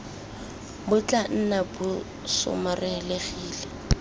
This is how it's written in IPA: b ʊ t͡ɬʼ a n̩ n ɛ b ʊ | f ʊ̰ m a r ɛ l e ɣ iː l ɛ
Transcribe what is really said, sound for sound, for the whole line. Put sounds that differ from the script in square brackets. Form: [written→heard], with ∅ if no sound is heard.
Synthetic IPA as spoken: b ʊ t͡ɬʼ a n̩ n [ɛ→a] b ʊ | [f→s] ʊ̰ m a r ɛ l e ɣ iː l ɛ